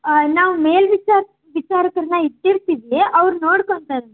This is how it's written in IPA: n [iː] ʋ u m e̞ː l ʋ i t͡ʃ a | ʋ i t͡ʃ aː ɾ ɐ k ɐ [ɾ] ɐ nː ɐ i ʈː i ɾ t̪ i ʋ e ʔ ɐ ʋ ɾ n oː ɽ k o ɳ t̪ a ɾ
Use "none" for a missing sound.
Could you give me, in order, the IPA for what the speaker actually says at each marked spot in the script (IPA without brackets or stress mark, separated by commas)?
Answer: aː, ɾ